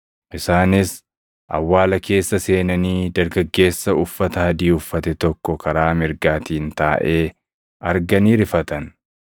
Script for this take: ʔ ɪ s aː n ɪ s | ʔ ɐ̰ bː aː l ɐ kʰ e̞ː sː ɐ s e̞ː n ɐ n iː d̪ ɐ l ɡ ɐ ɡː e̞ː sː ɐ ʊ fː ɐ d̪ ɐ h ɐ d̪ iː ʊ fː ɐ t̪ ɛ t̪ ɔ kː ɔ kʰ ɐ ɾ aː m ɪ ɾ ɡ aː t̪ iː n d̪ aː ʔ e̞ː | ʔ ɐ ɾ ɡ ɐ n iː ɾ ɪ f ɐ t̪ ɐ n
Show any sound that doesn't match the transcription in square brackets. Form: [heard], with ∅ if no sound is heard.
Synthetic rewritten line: ʔ ɪ s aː n ɪ s | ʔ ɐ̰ [wː] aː l ɐ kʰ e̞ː sː ɐ s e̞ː n ɐ n iː d̪ ɐ [ɾ] ɡ ɐ ɡː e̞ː sː ɐ ʊ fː ɐ [t̪] ɐ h ɐ d̪ iː ʊ fː ɐ t̪ ɛ t̪ ɔ kː ɔ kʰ ɐ ɾ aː m ɪ ɾ ɡ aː t̪ iː n [t̪] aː ʔ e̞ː | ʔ ɐ ɾ ɡ ɐ n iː ɾ ɪ f ɐ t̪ ɐ n